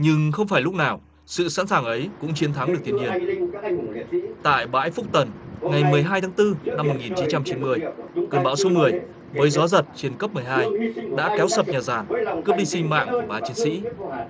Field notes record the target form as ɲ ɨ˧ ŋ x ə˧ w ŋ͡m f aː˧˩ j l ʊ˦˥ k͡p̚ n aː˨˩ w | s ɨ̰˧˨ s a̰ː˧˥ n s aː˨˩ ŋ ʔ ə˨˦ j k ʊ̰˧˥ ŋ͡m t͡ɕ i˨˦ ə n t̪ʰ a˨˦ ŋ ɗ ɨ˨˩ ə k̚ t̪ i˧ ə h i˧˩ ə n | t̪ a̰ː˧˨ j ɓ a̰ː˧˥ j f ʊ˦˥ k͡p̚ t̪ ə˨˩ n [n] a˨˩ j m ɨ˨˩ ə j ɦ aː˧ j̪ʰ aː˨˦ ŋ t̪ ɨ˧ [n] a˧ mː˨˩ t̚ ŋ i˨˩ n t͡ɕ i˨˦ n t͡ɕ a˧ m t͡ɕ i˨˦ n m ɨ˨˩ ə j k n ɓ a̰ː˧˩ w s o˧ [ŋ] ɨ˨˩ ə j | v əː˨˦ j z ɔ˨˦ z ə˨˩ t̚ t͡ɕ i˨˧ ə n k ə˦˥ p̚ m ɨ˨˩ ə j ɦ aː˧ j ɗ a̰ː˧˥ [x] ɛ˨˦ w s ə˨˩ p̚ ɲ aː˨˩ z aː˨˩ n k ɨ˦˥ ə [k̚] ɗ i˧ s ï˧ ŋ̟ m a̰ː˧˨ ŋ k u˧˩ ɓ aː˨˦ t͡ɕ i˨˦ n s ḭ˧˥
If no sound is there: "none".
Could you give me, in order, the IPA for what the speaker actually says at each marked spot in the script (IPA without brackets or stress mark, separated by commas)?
ŋ, n, m, k, p̚